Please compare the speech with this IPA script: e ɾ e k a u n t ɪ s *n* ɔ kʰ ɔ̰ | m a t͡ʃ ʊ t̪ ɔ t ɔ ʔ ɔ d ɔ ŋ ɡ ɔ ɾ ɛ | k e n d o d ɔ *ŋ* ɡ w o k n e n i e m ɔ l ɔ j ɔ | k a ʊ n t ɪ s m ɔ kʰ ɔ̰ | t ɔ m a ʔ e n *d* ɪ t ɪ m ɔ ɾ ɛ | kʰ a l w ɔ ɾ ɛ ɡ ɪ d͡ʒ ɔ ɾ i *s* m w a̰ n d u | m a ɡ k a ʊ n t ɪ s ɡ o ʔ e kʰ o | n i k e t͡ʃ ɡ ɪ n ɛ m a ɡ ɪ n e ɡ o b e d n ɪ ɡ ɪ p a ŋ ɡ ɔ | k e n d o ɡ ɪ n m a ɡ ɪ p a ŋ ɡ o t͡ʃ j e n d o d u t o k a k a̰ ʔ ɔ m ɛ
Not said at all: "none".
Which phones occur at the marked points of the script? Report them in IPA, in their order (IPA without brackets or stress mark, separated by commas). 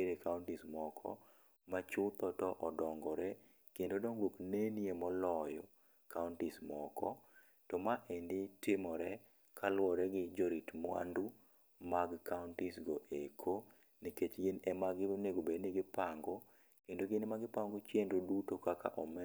m, ŋ, d, t